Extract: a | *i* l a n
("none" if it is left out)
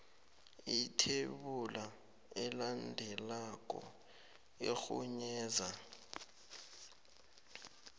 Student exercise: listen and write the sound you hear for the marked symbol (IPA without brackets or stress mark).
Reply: ɛ